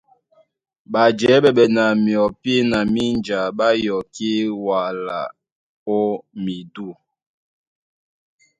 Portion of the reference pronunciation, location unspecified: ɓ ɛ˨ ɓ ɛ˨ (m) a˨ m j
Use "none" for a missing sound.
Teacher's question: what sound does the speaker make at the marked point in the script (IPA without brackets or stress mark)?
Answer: n